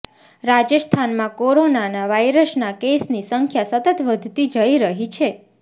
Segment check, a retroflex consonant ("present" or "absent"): absent